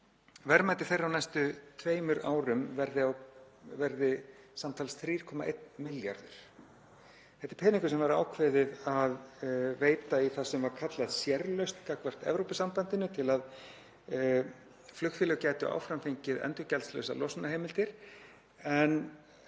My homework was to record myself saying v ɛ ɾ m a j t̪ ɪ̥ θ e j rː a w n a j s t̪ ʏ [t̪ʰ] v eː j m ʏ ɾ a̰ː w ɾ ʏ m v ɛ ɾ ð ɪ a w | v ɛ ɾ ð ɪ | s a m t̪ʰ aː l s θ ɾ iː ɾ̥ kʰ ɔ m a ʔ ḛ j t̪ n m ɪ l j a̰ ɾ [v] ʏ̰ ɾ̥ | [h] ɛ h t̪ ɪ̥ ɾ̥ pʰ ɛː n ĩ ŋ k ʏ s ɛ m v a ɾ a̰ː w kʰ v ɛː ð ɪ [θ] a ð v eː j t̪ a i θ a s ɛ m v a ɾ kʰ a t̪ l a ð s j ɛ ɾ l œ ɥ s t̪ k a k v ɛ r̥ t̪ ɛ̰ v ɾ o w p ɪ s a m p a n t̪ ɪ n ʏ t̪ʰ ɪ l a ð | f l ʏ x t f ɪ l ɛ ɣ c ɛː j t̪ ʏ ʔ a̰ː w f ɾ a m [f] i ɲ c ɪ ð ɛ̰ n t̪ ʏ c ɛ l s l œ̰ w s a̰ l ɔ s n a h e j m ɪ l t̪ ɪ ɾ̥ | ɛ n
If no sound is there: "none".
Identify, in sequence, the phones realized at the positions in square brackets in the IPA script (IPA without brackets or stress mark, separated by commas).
t̪ʰ, ð, θ, ð, f